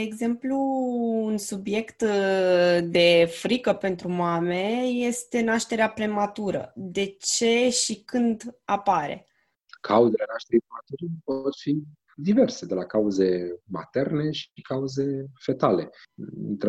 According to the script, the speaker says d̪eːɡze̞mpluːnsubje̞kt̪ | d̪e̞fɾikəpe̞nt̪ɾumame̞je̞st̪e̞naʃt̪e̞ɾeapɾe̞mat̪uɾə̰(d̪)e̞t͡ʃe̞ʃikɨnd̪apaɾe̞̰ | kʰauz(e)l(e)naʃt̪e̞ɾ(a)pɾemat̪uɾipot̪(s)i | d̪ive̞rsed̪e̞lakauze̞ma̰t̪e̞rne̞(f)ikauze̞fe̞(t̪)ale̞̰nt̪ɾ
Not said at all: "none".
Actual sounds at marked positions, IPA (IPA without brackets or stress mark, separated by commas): d̪, e, e, i, f, ʃ, t̪